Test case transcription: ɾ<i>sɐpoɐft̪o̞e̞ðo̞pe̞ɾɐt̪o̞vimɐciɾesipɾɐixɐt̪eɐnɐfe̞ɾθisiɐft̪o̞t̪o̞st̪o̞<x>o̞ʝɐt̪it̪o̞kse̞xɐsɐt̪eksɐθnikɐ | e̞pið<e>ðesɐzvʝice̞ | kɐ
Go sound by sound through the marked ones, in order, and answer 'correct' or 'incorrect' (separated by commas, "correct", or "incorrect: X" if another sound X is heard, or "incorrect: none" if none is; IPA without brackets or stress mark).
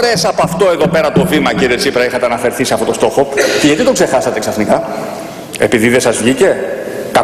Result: incorrect: e, correct, incorrect: i